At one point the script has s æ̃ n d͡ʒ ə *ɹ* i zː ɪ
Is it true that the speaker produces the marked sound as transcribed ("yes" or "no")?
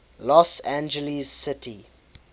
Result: no